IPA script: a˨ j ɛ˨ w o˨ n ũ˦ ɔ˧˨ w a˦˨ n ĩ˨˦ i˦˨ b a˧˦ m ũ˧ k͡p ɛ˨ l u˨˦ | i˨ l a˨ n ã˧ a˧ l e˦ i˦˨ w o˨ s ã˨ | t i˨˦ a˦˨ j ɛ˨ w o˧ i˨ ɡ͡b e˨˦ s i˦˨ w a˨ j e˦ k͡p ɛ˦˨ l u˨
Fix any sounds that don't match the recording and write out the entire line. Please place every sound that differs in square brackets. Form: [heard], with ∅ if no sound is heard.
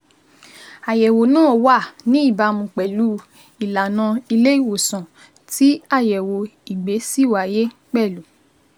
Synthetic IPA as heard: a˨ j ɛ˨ w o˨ n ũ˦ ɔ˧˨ w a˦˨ n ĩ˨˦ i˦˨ b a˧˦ m ũ˧ k͡p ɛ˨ l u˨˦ | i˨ l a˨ n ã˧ [i˧] l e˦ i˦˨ w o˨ s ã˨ | t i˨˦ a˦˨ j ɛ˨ w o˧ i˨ ɡ͡b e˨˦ s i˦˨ w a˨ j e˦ k͡p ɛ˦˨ l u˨